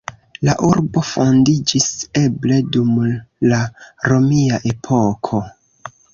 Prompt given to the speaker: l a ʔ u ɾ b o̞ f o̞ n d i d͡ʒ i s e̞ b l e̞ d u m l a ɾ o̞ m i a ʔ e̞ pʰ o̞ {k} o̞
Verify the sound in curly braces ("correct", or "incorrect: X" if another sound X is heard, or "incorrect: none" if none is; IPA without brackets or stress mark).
incorrect: kʰ